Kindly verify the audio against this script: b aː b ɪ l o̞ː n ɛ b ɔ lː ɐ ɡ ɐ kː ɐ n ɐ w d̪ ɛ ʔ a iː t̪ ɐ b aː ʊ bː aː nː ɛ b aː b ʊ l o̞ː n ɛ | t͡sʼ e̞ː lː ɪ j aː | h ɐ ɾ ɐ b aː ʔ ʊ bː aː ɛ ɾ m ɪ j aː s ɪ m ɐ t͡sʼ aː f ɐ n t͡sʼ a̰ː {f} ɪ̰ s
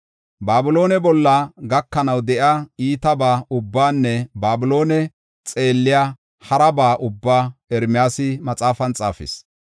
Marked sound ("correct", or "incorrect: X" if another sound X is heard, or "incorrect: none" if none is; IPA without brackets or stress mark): correct